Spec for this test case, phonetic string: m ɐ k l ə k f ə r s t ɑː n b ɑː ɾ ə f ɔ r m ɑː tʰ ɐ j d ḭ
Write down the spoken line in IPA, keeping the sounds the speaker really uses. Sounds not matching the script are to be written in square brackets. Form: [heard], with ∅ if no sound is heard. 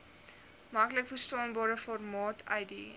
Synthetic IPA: m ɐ k l ə k f ə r s t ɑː n b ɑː ɾ ə f ɔ r m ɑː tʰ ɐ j d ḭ